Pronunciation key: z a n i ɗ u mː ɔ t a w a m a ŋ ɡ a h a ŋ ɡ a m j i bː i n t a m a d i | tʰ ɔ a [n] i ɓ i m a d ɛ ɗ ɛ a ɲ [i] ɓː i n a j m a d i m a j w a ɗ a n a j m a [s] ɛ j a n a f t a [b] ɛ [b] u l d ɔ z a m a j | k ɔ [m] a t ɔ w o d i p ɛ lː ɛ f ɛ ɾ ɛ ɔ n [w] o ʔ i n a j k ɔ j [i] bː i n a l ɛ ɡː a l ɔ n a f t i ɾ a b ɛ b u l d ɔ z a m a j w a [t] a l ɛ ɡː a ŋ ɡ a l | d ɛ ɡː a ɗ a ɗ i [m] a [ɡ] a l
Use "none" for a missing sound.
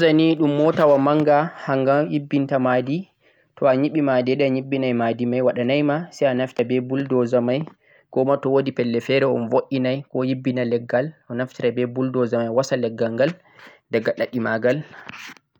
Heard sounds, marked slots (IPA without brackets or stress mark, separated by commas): ɲ, i, s, b, b, m, v, i, s, m, ɡ